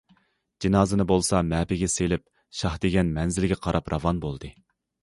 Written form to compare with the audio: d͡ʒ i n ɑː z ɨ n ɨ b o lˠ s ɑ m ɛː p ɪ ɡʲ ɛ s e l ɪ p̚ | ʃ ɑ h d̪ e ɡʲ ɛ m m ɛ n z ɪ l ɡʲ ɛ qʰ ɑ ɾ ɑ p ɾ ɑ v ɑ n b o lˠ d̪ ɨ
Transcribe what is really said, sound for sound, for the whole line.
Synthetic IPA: d͡ʒ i n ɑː z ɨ n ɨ b o lˠ s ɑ m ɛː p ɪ ɡʲ ɛ s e l ɪ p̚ | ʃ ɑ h d̪ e ɡʲ ɛ n m ɛ n z ɪ l ɡʲ ɛ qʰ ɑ ɾ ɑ p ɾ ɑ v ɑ n b o lˠ d̪ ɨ